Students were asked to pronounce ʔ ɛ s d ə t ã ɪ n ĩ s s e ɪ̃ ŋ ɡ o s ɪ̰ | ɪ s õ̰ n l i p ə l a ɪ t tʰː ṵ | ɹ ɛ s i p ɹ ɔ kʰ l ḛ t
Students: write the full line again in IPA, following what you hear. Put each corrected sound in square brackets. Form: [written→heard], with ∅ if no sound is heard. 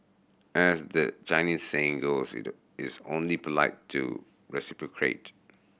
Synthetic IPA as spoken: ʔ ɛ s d ə [t→t͡ʃ] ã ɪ n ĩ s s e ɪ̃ ŋ ɡ o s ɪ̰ | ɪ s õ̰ n l i p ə l a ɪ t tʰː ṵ | ɹ ɛ s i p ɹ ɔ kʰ [l→ɹ] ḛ t